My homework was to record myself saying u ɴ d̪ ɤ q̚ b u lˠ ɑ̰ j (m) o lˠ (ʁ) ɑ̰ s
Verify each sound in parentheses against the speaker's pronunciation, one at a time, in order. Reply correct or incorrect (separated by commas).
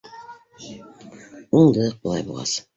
incorrect, correct